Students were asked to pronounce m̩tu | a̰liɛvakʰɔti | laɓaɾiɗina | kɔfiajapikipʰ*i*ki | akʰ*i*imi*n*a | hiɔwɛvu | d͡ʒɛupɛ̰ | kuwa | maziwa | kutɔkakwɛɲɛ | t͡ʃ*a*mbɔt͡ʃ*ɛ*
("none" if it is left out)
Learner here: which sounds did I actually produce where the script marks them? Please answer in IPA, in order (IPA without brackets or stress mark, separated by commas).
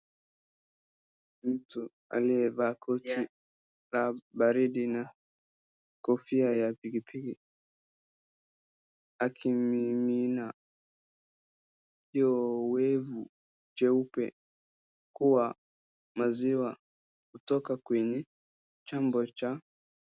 i, i, n, a, a